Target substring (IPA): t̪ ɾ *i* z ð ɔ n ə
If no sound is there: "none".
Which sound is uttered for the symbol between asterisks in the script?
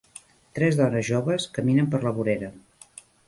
ɛ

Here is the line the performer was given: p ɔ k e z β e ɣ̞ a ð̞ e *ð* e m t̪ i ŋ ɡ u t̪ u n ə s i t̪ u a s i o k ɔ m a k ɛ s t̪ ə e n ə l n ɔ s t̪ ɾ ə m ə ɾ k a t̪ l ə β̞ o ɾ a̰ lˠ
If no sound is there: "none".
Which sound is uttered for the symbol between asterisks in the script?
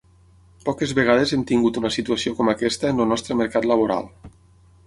z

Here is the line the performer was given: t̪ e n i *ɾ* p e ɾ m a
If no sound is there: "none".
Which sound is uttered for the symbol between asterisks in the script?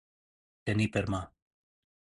none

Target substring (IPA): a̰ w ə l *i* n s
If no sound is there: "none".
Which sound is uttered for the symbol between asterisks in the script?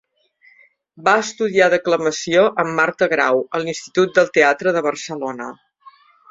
i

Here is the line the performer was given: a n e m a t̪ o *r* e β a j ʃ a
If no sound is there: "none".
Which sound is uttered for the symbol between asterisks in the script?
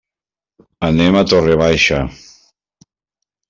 r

